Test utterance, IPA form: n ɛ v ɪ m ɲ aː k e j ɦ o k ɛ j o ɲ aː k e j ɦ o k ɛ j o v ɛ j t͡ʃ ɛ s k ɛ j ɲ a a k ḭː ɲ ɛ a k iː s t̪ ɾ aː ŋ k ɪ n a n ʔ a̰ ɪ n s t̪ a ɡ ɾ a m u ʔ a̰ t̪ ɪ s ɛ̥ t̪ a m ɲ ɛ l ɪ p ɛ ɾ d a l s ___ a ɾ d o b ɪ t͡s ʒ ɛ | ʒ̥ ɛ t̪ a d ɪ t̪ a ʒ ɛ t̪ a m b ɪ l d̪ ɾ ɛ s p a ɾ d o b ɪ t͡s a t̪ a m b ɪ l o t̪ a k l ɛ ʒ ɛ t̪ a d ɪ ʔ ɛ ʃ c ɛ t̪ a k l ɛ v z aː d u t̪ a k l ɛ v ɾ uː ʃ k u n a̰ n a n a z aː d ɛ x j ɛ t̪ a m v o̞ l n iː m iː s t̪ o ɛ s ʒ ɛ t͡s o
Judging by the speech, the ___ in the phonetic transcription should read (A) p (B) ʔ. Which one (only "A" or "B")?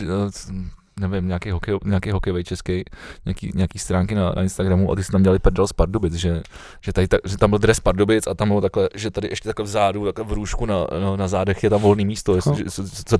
A